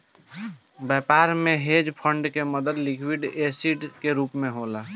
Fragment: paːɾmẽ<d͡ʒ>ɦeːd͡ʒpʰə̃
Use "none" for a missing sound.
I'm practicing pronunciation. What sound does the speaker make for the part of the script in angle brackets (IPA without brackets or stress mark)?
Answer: none